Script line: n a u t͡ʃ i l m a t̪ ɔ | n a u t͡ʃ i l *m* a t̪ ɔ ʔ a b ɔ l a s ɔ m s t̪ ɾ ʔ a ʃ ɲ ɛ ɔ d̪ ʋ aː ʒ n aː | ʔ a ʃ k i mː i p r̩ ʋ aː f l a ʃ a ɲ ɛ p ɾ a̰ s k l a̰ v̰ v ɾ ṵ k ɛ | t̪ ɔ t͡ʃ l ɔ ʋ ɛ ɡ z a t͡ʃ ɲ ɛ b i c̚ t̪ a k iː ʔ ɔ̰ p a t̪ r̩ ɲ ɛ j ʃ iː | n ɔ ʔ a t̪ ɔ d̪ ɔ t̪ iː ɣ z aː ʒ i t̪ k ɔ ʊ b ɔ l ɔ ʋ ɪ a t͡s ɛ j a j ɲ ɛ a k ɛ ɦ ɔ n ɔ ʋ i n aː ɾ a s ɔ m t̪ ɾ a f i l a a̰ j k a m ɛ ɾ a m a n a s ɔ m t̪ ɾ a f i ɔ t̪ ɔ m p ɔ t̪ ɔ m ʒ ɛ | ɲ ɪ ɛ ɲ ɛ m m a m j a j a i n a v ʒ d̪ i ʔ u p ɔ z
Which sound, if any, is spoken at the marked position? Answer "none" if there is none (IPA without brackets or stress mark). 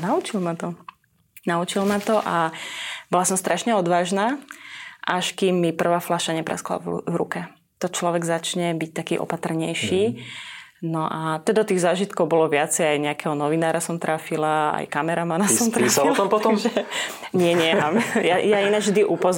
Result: m